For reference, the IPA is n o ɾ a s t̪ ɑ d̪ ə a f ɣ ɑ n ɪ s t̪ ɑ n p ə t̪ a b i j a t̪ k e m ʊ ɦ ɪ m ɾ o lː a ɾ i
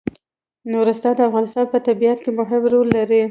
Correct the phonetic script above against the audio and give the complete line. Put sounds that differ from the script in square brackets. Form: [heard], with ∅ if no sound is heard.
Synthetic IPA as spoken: n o ɾ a s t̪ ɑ d̪ ə a f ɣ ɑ n ɪ s t̪ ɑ n p ə t̪ a b i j a t̪ k e m ʊ ɦ ɪ m ɾ o lː a ɾ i